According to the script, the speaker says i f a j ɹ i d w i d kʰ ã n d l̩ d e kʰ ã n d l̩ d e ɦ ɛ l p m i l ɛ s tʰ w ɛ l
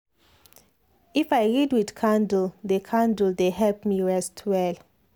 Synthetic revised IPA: i f a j ɹ i d w i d kʰ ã n d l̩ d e kʰ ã n d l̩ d e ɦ ɛ l p m i ɹ ɛ s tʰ w ɛ l